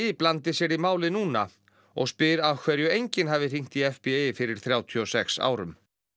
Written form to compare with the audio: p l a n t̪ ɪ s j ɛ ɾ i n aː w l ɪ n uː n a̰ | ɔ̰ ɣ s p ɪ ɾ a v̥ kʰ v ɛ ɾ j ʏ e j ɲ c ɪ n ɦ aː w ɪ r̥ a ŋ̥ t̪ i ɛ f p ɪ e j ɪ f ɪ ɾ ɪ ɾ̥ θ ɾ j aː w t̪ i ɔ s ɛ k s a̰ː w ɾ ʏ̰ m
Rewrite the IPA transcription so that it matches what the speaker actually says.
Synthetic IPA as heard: p l a n t̪ ɪ s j ɛ ɾ i m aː w l ɪ n uː n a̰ | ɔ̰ ɣ s p ɪ ɾ a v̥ kʰ v ɛ ɾ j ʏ e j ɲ c ɪ n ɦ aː v ɪ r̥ i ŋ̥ t̪ i ɛ f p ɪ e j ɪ f ɪ ɾ ɪ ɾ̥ θ ɾ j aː w t̪ʰ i ɔ s ɛ k s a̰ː w ɾ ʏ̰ m

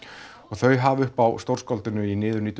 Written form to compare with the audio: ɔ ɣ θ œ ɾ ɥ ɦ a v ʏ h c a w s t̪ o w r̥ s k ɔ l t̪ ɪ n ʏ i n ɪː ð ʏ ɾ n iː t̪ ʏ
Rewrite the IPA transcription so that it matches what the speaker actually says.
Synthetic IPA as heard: ɔ ɣ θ œ ɥ ɦ a v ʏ h p a w s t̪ o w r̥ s k ɔ l t̪ ɪ n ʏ i n ɪː ð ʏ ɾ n iː t̪ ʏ

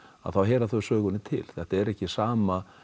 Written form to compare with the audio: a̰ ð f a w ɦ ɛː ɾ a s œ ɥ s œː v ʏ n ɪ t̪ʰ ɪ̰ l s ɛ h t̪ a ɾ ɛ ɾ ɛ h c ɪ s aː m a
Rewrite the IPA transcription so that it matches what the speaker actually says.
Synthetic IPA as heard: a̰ ð θ a w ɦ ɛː ɾ a θ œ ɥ s œː ɣ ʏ n ɪ t̪ʰ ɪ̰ l θ ɛ h t̪ a ɛ ɾ ɛ h c ɪ s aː m a

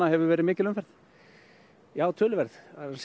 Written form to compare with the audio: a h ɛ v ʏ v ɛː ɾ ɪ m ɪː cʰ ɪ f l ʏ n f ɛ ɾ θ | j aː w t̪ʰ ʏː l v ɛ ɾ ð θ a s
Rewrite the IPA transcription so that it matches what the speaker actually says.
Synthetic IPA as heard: a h ɛ v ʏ v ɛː ɾ ɪ m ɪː c ɪ l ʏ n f ɛ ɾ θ | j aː w t̪ʰ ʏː l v ɛ ɾ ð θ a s

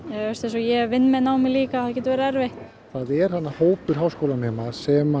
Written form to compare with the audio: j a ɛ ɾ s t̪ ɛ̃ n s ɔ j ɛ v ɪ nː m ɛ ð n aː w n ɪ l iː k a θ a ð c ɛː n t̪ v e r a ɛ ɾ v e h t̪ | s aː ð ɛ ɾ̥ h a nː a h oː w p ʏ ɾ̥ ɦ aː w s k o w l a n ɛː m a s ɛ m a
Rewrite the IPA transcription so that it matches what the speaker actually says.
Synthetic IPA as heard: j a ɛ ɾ s t̪ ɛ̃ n s ɔ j ɛ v ɪ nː m ɛ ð n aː w m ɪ l iː k a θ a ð c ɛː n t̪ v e ɾ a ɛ ɾ v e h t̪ | θ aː ð ɛ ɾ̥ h a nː a h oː w p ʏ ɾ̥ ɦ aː w s k o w l a n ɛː m a s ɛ m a

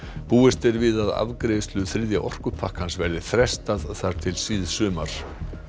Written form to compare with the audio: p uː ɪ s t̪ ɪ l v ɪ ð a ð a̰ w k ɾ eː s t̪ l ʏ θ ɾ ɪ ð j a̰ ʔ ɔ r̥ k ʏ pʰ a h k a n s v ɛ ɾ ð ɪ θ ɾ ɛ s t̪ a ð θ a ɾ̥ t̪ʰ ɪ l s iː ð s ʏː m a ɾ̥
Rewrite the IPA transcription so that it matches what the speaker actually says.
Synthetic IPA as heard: p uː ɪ s t̪ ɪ ɾ v ɪ ð a ð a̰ v k ɾ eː s t̪ l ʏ θ ɾ ɪ ð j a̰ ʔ ɔ r̥ k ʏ pʰ a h k a n s v ɛ ɾ ð ɪ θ ɾ ɛ s t̪ a ð θ a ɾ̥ t̪ʰ ɪ l s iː ð s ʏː m a ɾ̥

